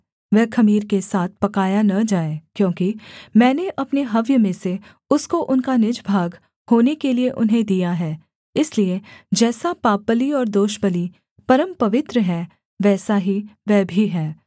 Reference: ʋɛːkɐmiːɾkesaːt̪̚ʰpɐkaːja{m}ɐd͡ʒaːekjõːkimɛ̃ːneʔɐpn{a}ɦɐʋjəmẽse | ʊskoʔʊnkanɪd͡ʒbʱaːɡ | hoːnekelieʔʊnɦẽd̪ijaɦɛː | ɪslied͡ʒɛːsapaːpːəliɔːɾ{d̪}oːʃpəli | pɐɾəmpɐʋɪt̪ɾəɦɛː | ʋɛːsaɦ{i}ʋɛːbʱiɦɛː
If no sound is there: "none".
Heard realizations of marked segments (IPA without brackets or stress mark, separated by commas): n, e, d̪, i